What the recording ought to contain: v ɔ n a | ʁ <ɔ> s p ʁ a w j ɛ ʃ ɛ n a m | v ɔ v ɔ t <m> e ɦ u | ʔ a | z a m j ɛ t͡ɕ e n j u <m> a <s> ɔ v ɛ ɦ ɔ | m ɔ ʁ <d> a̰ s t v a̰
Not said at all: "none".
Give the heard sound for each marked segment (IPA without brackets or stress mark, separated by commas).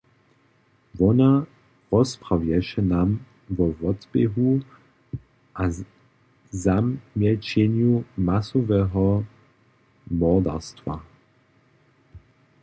ɔ, b, m, s, d